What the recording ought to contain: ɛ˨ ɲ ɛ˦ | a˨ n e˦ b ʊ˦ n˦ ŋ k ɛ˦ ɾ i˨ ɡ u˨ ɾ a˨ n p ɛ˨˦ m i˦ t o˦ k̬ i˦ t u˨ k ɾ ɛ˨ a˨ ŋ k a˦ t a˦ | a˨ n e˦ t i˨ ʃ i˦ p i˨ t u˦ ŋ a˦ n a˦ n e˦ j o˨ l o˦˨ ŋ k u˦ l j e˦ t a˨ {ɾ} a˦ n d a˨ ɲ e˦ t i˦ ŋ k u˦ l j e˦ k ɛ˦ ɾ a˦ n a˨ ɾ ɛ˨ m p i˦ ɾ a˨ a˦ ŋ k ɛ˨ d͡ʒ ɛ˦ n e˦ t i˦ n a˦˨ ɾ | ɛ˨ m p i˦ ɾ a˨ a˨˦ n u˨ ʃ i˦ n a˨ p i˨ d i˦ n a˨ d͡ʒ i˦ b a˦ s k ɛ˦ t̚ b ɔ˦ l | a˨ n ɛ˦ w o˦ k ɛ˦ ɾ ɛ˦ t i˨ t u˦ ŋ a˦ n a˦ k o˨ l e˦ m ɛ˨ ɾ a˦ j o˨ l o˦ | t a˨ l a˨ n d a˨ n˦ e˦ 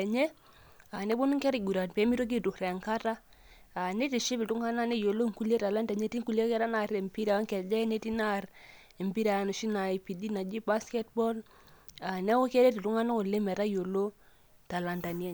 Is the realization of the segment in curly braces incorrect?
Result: yes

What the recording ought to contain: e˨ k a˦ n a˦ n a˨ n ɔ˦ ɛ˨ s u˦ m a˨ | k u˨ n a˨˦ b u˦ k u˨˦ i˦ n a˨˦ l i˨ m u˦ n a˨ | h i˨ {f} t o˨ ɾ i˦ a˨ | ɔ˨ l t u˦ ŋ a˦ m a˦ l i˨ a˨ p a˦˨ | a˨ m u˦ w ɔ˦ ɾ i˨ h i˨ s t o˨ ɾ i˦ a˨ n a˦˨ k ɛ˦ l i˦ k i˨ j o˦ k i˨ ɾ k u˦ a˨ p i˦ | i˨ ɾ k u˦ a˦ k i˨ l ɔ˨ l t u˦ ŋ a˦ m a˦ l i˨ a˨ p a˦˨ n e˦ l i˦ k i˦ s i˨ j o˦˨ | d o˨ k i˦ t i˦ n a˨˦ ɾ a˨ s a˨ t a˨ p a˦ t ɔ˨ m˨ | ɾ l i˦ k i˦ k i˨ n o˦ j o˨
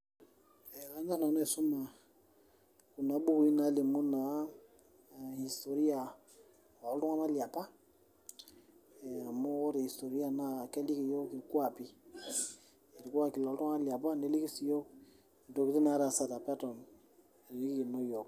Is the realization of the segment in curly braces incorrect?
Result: yes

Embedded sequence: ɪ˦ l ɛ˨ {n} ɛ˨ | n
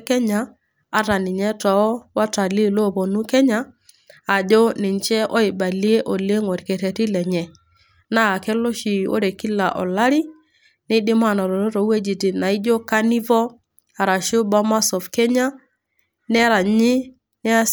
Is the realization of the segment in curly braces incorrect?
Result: yes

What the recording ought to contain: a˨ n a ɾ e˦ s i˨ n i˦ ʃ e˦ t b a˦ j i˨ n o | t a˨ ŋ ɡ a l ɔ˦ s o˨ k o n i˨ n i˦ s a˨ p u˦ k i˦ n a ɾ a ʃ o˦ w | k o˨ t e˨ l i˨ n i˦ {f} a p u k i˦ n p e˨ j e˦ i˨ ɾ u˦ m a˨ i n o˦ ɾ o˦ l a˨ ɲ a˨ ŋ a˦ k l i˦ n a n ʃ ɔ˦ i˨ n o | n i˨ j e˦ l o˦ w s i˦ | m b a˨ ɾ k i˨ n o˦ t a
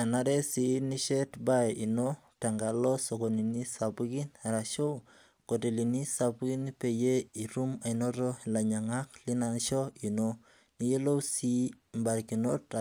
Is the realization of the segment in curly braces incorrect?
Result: yes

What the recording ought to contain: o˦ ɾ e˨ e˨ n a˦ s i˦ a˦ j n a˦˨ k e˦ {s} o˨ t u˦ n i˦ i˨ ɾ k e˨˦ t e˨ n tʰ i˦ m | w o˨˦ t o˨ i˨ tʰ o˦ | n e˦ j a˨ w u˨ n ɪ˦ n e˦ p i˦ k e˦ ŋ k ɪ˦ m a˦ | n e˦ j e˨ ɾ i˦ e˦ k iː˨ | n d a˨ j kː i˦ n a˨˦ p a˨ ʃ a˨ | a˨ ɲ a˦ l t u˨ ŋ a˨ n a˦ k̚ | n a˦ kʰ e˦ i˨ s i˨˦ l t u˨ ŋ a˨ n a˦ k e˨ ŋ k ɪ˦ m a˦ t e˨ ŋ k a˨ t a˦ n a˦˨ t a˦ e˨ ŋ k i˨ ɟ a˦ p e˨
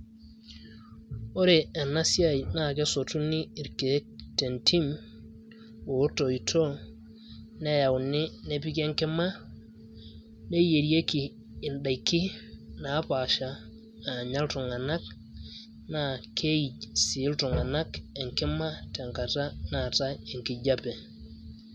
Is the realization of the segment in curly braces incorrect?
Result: no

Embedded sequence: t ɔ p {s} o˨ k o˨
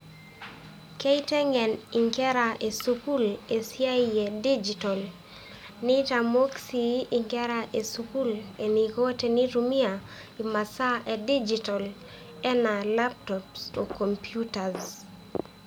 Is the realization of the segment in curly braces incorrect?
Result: no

